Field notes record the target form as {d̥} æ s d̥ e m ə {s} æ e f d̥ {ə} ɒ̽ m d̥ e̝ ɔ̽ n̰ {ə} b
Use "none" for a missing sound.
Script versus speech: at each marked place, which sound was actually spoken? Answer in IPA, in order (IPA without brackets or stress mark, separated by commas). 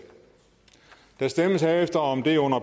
d̥, s, ɐ, ɐ